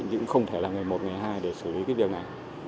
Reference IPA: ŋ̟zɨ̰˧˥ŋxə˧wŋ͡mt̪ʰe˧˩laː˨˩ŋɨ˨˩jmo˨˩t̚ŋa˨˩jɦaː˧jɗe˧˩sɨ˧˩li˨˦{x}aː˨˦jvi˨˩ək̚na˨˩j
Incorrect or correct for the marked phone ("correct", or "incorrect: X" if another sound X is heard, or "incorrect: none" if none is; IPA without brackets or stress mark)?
incorrect: k